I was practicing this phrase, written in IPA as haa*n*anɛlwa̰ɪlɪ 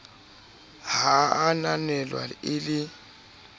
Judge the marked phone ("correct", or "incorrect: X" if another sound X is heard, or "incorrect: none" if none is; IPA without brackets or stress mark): correct